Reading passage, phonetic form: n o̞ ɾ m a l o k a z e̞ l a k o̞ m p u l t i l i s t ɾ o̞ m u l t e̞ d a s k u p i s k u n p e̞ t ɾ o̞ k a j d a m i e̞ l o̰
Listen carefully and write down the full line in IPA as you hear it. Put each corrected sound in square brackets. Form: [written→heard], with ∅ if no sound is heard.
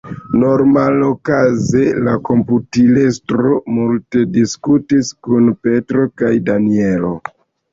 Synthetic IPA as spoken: n o̞ ɾ m a l o k a z e̞ l a k o̞ m p u [l→∅] t i l [i→e] s t ɾ o̞ m u l t e̞ d [a→i] s k u [p→t] i s k u n p e̞ t ɾ o̞ k a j d a [m→n] i e̞ l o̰